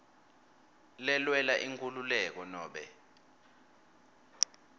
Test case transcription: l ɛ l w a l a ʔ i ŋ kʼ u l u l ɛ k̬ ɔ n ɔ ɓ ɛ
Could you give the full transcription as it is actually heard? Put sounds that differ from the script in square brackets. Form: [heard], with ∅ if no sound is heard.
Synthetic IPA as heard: l ɛ l w [ɛ] l a ʔ i ŋ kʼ u l u l ɛ k̬ ɔ n [ɔː] ɓ ɛ